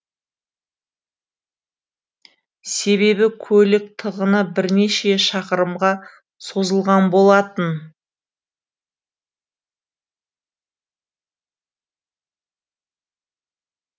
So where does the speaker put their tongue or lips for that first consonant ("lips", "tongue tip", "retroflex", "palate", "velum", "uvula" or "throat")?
tongue tip